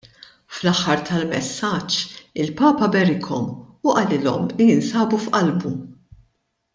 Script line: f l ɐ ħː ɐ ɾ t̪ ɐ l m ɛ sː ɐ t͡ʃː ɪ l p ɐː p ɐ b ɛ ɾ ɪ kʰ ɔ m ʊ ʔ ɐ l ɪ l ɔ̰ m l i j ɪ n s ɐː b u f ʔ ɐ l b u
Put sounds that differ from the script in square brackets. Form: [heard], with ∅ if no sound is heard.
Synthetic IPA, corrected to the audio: f l ɐ ħː ɐ ɾ t̪ ɐ l m ɛ sː ɐ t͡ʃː ɪ l p ɐː p ɐ b ɛ ɾ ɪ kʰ ɔ m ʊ ʔ ɐ l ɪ l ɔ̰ m l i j ɪ n s ɐː b u f ʔ ɐ l b u